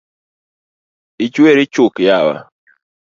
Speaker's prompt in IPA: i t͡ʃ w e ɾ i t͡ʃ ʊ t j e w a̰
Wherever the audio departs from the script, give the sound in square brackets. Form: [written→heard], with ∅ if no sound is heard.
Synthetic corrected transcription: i t͡ʃ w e ɾ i t͡ʃ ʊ [t→k] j [e→a] w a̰